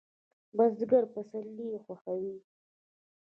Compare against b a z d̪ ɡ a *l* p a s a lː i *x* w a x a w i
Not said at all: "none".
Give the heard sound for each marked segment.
ɾ, x

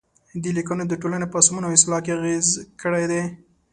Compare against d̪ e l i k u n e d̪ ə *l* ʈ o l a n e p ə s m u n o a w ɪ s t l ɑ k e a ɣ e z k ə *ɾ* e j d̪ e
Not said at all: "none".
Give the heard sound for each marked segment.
none, ɽ

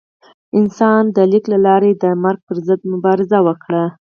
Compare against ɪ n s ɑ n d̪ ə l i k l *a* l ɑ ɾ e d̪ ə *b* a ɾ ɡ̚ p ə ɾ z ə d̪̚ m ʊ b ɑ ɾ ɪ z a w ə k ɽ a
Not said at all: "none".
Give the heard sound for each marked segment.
a, m

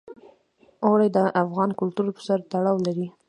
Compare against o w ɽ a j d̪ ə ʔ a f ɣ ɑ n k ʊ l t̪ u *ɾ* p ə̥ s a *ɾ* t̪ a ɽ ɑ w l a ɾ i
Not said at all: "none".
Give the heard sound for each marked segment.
ɾ, ɾ

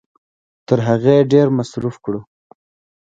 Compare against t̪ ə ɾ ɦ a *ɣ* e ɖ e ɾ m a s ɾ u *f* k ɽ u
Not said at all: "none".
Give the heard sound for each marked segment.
ɣ, f

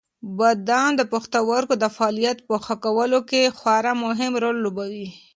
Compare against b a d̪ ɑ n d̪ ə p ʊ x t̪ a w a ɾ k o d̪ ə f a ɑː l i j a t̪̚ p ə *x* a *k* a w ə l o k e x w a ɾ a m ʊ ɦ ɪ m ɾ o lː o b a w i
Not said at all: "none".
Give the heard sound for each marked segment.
x, k

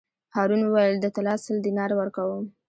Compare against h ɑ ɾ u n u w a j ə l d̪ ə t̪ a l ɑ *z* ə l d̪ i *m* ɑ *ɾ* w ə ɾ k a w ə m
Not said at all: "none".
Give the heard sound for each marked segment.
s, n, ɾ

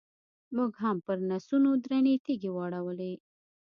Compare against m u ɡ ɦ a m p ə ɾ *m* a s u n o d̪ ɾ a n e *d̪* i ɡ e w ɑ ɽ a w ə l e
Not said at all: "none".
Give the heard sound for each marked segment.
n, t̪

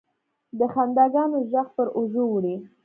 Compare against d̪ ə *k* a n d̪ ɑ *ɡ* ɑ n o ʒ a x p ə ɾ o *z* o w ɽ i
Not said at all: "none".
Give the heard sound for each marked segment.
x, ɡ, ʒ

